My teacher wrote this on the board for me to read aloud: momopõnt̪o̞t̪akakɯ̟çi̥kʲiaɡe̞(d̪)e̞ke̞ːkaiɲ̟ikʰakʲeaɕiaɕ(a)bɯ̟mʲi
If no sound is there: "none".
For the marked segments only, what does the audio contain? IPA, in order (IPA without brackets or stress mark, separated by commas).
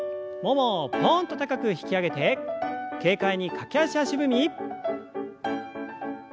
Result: t̪, i